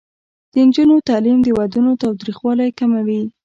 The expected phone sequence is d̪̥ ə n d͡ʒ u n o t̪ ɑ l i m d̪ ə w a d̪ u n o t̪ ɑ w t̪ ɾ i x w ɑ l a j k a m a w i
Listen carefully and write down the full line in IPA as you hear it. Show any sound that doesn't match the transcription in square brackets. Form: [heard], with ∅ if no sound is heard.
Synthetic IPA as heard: d̪̥ ə n d͡ʒ u n o t̪ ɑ l i m d̪ ə w a d̪ u n o t̪ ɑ w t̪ ɾ i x w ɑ l a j k a m a w i